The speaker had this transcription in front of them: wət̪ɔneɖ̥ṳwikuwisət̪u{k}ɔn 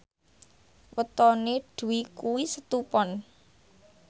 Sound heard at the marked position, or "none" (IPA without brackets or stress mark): p